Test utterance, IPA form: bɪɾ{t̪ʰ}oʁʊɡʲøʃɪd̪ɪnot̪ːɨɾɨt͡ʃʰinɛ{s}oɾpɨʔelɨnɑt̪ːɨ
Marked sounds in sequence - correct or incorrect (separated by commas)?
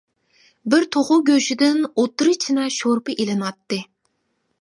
correct, incorrect